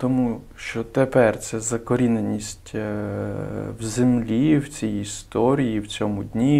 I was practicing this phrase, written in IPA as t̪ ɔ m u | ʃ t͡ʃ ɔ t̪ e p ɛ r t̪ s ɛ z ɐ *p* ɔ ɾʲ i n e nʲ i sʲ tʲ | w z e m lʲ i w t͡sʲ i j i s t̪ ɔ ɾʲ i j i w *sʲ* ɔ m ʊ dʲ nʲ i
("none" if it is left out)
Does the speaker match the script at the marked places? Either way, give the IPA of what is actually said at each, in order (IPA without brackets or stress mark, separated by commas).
k, t͡sʲ